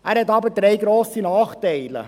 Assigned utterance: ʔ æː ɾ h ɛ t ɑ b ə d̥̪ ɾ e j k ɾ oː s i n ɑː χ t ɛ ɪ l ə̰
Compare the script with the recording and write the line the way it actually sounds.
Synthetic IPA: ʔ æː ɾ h ɛ t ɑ b ə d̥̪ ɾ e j ɡ ɾ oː s i n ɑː χ t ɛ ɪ l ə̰

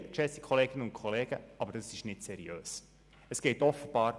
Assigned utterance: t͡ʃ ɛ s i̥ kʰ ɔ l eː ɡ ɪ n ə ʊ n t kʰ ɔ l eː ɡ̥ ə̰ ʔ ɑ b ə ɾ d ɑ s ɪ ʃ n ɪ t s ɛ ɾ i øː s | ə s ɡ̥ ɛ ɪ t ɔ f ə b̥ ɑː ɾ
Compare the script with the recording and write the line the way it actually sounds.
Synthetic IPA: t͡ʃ ɛ s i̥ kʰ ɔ l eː ɡ ɪ n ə ʊ n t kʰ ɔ l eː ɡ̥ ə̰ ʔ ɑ b ə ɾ d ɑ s ɪ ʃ n ɪ t s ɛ ɾ i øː s | ə s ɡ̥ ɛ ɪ t ɔ f ə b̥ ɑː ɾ

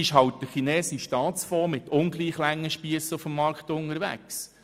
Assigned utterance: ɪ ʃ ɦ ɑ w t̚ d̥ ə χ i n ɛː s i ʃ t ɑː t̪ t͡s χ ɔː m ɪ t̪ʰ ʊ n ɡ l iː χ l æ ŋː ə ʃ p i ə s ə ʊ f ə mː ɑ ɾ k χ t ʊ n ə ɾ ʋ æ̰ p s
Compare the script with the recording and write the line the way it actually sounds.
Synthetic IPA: ɪ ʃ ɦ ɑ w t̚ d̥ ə χ i n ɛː s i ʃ t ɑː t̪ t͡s f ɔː m ɪ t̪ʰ ʊ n ɡ l iː χ l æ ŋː ə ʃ p i ə s ə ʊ f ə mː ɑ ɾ k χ t ʊ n ə ɾ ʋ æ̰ k s

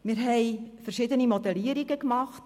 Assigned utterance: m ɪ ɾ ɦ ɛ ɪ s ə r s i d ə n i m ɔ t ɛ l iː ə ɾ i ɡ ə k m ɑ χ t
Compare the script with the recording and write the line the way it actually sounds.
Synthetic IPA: m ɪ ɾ ɦ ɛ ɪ f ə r ʃ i d ə n i m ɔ d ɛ l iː ə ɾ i ɡ ə k m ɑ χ t

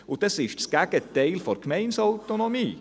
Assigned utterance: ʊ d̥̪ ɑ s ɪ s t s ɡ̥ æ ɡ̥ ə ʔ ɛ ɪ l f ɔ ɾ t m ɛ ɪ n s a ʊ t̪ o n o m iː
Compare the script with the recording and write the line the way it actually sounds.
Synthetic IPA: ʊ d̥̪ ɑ s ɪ ʃ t s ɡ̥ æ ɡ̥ ə t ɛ ɪ l f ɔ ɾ k m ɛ ɪ n s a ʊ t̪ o n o m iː

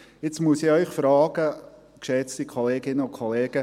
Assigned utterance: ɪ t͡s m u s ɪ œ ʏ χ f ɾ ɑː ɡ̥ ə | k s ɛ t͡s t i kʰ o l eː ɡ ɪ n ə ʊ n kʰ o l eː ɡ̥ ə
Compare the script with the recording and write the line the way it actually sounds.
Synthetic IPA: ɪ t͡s m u s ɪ œ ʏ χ f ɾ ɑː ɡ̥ ə | k ʃ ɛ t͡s t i kʰ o l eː ɡ ɪ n ə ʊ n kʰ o l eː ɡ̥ ə

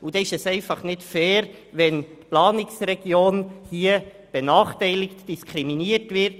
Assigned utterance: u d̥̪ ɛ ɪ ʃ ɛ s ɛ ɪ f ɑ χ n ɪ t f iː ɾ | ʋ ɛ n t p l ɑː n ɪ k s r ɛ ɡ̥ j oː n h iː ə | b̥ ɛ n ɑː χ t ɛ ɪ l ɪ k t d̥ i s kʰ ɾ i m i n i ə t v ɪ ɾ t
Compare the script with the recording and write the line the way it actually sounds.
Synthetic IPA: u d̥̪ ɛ ɪ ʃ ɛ s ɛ ɪ f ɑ χ n ɪ t f ɛː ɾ | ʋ ɛ n t p l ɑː n ɪ k s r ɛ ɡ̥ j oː n h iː ə | b̥ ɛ n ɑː χ t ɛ ɪ l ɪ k t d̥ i s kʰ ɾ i m i n i ə t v ɪ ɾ t

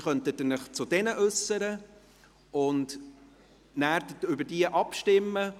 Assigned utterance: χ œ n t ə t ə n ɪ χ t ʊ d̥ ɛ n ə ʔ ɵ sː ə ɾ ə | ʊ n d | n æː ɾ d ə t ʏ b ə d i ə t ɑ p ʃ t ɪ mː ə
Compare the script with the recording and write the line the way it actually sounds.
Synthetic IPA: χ œ n t ə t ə n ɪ χ t͡s ʊ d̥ ɛ n ə ʔ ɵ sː ə ɾ ə | ʊ n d | n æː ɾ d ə t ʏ b ə d i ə ʔ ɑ p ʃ t ɪ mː ə

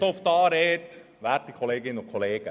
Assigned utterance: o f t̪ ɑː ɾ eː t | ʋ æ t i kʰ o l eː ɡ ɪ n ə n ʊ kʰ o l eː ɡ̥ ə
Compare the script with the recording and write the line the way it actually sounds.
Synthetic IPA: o f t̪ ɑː ɾ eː t | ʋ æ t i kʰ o l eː ɡ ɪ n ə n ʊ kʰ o l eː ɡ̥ ə

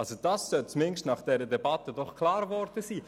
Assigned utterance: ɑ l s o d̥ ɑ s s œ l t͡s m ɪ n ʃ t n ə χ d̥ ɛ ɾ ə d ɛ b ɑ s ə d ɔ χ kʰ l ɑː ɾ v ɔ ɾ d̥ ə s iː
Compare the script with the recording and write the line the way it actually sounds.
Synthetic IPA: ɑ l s o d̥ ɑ s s œ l t͡s m ɪ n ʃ t n ɑ χ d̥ ɛ ɾ ə d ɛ b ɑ t ə d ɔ χ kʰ l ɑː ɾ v ɔ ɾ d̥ ə s iː

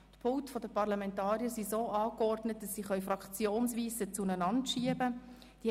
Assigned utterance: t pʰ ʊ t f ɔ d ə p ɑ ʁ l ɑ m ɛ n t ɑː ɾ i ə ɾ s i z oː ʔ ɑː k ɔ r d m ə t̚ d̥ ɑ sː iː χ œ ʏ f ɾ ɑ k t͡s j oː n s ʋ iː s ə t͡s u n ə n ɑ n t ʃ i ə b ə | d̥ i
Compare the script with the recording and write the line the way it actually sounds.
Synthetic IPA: t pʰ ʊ t f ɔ d ə p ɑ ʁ l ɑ m ɛ n t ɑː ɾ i ə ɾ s i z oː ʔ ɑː k ɔ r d n ə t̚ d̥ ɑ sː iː χ œ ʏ f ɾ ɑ k t͡s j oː n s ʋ iː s ə t͡s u n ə n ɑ n t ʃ i ə b ə | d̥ i

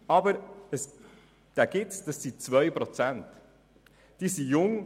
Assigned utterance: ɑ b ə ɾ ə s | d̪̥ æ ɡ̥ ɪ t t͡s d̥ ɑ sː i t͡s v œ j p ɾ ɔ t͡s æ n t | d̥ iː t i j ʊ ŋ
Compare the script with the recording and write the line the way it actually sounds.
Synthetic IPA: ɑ b ə ɾ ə s | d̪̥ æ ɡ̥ ɪ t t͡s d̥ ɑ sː i t͡s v œ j p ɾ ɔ t͡s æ n t | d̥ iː s i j ʊ ŋ

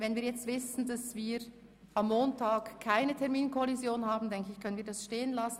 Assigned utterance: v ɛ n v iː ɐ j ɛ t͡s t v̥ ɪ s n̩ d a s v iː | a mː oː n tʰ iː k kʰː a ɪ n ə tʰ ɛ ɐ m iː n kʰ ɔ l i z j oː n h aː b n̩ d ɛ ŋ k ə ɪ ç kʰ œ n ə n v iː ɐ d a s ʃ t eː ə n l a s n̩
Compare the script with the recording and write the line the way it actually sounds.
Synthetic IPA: v ɛ n v iː ɐ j ɛ t͡s t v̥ ɪ s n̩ d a s v iː | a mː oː n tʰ aː k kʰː a ɪ n ə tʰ ɛ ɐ m iː n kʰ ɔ l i z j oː n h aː b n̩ d ɛ ŋ k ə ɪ ç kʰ œ n ə n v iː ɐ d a s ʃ t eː ə n l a s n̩

